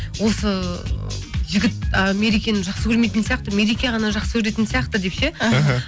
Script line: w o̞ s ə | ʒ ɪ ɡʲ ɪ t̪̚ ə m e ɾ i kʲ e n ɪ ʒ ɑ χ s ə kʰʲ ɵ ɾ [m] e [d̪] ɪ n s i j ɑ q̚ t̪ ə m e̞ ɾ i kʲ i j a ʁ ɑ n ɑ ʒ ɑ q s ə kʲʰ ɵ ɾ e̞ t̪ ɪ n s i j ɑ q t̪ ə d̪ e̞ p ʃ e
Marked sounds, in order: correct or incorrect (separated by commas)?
correct, incorrect